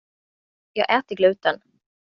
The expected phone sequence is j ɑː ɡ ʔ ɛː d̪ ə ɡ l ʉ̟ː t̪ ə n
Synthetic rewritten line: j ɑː ɡ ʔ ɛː t̪ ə ɡ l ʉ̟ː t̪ ə n

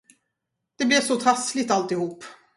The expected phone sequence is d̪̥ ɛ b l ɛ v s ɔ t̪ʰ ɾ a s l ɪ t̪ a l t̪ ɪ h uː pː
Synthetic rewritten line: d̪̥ ɛ b l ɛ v s ɔ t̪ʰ ɾ a s l ɪ t̪ a l t̪ ɪ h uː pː

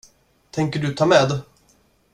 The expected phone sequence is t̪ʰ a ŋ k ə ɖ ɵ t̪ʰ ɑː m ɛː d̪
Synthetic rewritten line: t̪ʰ ɛ ŋ k ə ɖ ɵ t̪ʰ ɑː m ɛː d̪

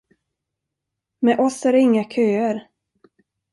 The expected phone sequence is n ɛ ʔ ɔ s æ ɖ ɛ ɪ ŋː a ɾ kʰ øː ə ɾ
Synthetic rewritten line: m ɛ ʔ ɔ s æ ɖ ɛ ɪ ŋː a kʰ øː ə ɾ

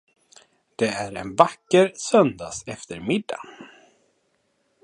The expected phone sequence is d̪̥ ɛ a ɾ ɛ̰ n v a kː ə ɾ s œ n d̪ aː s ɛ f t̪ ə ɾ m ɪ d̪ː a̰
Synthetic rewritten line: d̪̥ ɛ æ ɾ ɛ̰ n v a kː ə ɾ s œ n d̪ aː s ɛ f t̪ ə ɾ m ɪ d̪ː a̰

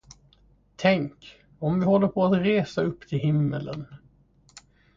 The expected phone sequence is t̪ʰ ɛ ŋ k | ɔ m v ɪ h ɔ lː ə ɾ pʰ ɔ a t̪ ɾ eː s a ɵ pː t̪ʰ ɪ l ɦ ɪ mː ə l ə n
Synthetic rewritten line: t̪ʰ ɛ ŋ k | ɔ m v ɪ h ɔ lː ə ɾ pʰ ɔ a t̪ ɾ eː s a ɵ pː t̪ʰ ɪ l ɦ ɪ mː ə l ə n

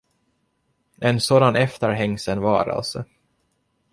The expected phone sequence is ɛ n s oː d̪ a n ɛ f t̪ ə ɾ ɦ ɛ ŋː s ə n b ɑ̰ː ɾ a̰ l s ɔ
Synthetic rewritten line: ɛ n s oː d̪ a n ɛ f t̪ ə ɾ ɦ ɛ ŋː s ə n v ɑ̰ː ɾ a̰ l s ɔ

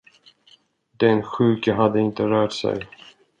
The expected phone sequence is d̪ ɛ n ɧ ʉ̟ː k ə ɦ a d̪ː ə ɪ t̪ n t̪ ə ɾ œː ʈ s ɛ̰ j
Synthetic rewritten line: d̪ ɛ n ɧ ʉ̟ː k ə ɦ a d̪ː ə ɪ n t̪ ə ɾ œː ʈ s ɛ̰ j

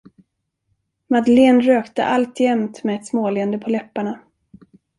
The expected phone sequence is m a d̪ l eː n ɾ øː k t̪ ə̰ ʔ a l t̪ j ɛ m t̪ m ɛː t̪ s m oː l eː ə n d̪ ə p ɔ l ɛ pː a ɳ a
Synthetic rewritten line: m a d̪ l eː n ɾ øː k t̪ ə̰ ʔ a l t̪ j ɛ m t̪ m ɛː t̪ s m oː l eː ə n d̪ ə pʰ ɔ l ɛ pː a ɳ a

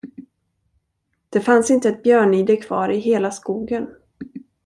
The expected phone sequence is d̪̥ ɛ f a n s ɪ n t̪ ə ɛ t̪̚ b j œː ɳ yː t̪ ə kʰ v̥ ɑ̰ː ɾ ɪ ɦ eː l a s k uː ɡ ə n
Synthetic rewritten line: d̪̥ ɛ f a n s ɪ n t̪ ə ɛ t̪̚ b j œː ɳ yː d̪ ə kʰ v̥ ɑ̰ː ɾ ɪ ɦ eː l a s k uː ɡ ə n

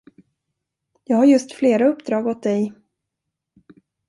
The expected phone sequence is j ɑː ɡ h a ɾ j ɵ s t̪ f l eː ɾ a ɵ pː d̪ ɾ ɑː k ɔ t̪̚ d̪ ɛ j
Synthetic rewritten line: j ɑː ɡ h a ɾ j ɵ s t̪ f l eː ɾ a ɵ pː d̪ ɾ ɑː ɡ ɔ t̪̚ d̪ ɛ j

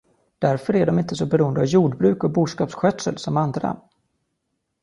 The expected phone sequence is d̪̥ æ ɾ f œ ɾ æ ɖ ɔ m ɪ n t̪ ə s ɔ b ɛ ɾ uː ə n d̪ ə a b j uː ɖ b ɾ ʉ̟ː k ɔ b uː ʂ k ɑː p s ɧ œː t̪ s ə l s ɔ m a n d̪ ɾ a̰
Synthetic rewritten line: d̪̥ æ ɾ f œ ɾ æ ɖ ɔ m ɪ n t̪ ə s ɔ b ɛ ɾ uː ə n d̪ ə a v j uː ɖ b ɾ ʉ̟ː k ɔ b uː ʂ k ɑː p s ɧ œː t̪ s ə l s ɔ m a n d̪ ɾ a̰

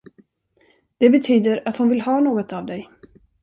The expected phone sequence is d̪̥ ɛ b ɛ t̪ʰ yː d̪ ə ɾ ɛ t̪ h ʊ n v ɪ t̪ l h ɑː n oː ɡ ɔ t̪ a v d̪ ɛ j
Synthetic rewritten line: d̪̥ ɛ b ɛ t̪ʰ yː d̪ ə ɾ a t̪ h ʊ n v ɪ l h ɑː n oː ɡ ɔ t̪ a v d̪ ɛ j

